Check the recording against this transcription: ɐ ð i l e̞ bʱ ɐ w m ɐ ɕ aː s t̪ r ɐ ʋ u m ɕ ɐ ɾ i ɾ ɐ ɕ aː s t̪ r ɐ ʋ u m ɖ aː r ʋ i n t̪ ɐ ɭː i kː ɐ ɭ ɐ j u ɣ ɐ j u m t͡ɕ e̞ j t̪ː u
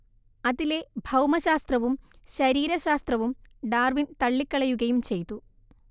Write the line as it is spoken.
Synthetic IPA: ɐ ð i l e̞ bʱ ɐ w m ɐ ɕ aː s t̪ r ɐ ʋ u m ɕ ɐ ɾ iː ɾ ɐ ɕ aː s t̪ r ɐ ʋ u m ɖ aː r ʋ i n t̪ ɐ ɭː i kː ɐ ɭ ɐ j u ɣ ɐ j u m t͡ɕ e̞ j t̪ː u